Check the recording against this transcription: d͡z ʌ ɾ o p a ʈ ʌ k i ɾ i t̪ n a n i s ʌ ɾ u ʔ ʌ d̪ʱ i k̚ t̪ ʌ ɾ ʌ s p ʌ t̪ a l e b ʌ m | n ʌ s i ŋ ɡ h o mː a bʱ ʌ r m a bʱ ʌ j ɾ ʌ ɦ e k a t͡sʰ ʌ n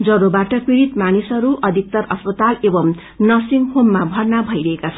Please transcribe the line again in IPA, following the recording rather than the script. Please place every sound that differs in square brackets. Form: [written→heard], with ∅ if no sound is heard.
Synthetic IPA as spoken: d͡z ʌ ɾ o [p→b] a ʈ ʌ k i ɾ i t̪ [n→m] a n i s ʌ ɾ u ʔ ʌ d̪ʱ i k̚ t̪ ʌ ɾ ʌ s p ʌ t̪ a l e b ʌ m | n ʌ s i ŋ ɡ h o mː a bʱ ʌ r [m→n] a bʱ ʌ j ɾ ʌ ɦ e k a t͡sʰ ʌ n